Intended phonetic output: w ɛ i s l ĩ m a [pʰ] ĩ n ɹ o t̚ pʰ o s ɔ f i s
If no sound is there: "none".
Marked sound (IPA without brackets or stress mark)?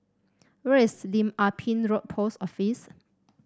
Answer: pʰ